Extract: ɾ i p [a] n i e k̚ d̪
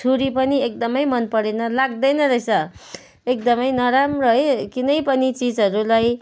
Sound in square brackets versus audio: incorrect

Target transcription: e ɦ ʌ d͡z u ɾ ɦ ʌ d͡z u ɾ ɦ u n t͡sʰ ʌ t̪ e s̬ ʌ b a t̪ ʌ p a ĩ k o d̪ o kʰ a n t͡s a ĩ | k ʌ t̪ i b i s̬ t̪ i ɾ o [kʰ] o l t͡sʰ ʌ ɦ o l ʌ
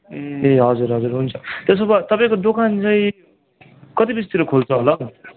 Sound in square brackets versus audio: correct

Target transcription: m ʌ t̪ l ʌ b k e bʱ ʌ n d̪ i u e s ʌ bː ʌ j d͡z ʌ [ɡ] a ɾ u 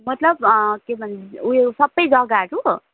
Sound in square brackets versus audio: correct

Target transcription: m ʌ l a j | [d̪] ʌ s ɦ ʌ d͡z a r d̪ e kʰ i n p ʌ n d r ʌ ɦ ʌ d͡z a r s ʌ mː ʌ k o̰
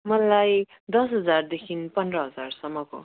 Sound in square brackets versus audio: correct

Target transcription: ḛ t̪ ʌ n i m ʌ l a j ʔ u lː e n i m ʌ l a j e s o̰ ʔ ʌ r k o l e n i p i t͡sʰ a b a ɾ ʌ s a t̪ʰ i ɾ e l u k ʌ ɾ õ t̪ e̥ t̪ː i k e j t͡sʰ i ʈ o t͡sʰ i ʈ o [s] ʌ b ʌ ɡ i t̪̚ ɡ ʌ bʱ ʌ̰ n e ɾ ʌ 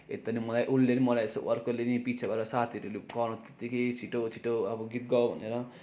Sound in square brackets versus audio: incorrect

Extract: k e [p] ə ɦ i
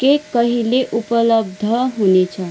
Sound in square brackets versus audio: incorrect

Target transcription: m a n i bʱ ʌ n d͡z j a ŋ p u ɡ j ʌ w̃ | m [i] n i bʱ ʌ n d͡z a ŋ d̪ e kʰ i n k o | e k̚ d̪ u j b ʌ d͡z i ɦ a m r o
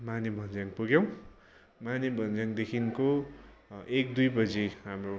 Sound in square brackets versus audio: incorrect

